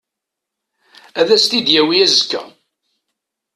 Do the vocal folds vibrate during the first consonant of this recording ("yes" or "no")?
yes